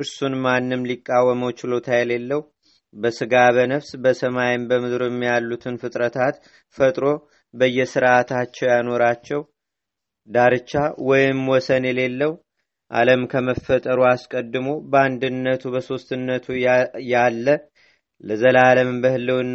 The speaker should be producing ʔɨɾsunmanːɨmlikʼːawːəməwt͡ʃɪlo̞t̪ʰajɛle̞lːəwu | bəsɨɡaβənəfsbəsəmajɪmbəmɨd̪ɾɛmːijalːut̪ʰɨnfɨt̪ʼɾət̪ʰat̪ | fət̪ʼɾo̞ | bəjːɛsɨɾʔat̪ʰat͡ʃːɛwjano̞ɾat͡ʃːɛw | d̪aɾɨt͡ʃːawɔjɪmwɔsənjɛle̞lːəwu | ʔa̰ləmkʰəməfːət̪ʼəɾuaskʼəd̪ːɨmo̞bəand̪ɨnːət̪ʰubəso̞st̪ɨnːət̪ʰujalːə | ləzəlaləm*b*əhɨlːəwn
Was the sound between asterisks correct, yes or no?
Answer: yes